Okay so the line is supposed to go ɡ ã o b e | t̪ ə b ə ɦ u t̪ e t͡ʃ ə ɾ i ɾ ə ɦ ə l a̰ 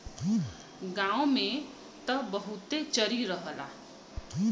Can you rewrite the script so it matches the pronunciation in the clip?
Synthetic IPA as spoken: ɡ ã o m e | t̪ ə b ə ɦ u t̪ e t͡ʃ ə ɾ i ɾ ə ɦ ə l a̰